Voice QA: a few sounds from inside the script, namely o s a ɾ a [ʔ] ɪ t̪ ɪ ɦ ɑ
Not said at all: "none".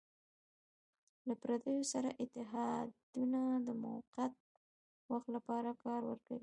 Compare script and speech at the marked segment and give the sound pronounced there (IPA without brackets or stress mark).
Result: ʔ